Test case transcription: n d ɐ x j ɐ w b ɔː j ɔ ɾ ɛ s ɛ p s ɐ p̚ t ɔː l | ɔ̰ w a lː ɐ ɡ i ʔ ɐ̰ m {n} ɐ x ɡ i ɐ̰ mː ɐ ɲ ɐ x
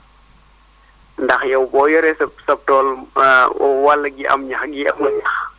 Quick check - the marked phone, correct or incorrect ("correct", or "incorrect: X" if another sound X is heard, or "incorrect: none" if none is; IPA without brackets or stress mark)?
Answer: incorrect: ɲ